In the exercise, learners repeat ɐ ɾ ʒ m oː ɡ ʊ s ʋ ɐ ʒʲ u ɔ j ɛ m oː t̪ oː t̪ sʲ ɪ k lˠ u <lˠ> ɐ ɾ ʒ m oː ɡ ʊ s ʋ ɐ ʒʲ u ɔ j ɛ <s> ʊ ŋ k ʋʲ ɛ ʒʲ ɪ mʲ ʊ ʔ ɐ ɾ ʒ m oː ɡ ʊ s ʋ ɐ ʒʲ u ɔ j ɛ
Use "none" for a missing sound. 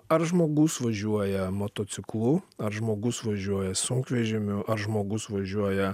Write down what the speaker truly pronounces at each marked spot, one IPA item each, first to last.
none, s

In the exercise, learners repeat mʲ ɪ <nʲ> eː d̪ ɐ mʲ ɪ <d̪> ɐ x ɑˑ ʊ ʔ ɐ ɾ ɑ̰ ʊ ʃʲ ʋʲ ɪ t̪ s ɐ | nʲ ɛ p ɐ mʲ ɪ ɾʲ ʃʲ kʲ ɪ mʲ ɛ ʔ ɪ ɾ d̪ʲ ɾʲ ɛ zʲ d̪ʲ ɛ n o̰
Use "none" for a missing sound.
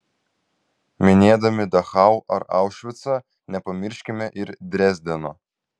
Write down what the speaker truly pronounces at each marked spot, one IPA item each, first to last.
nʲ, d̪

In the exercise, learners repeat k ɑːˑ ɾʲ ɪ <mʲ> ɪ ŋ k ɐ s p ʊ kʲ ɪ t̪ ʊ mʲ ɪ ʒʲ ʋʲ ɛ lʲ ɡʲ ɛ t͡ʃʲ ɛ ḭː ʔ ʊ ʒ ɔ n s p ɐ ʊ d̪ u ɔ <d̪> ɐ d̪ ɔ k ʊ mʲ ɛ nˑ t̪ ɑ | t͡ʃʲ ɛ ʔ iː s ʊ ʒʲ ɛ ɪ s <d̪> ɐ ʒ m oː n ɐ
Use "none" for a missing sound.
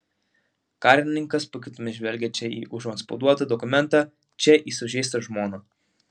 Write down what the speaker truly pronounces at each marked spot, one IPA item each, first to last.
nʲ, t̪, t̪

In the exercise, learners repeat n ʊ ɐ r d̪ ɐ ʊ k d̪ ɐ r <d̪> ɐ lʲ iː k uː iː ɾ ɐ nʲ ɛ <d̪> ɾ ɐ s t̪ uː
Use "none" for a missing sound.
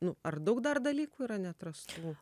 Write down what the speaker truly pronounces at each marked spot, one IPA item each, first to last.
d̪, t̪

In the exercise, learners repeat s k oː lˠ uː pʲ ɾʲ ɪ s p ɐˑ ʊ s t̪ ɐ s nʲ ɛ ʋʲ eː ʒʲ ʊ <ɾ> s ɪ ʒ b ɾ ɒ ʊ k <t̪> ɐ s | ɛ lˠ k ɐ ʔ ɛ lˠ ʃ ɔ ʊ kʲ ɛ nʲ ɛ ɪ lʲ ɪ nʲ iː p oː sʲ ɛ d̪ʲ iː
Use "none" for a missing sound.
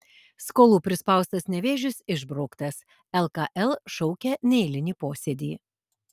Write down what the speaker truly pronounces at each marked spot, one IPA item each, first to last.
none, t̪

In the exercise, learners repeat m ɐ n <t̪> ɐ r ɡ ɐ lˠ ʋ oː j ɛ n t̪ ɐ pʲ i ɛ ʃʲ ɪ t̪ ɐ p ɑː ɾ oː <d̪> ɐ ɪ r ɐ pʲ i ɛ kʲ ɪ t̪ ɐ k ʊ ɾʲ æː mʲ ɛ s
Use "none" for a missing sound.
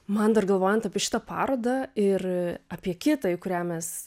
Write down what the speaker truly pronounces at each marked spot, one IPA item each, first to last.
d̪, d̪

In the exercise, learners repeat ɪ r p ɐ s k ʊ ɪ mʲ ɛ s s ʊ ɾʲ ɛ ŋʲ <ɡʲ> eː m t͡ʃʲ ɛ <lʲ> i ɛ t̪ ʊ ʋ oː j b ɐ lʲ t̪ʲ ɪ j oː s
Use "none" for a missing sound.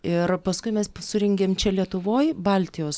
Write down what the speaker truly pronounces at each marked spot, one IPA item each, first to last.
ɡʲ, lʲ

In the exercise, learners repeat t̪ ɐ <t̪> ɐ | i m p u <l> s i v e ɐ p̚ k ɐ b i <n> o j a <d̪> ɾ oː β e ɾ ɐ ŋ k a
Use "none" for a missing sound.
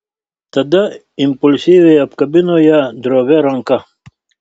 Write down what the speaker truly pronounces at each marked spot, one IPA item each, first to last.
d̪, l, n, d̪

